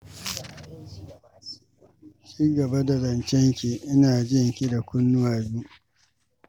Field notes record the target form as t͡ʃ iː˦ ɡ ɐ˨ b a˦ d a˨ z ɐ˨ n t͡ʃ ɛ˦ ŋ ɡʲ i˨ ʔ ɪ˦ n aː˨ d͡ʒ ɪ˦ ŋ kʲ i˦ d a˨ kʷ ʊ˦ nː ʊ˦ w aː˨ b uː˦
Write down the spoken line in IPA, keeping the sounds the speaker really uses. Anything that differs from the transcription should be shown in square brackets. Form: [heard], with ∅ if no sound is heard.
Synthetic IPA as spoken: t͡ʃ iː˦ ɡ ɐ˨ b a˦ d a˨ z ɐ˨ n t͡ʃ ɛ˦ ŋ [kʲ] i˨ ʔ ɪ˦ n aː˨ d͡ʒ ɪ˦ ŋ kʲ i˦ d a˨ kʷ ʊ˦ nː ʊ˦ w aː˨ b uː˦